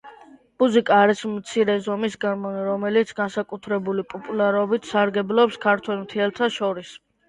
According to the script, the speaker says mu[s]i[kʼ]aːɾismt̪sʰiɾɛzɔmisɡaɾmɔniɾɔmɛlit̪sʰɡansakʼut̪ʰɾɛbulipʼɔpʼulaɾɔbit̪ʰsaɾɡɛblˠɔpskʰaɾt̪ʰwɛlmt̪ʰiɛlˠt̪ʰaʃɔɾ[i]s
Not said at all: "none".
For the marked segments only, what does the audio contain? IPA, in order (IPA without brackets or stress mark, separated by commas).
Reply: z, kʼ, i